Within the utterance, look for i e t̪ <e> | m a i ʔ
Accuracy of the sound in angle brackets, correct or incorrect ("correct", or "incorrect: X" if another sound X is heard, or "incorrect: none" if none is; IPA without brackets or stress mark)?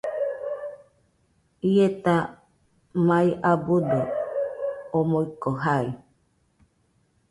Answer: incorrect: a